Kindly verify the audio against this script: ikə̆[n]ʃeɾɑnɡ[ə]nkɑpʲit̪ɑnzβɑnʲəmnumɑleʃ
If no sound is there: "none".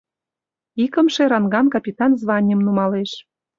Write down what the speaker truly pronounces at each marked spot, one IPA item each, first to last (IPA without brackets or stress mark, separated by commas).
m, ɑ